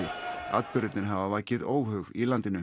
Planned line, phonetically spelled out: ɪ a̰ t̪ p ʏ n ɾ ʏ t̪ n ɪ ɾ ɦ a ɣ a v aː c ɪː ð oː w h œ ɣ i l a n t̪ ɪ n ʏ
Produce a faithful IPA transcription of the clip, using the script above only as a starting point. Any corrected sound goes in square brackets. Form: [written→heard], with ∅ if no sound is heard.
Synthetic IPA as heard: ɪ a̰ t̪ p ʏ [n→∅] ɾ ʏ t̪ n ɪ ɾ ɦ a [ɣ→v] a v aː c [ɪː→ɪ] ð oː w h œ ɣ i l a n t̪ ɪ n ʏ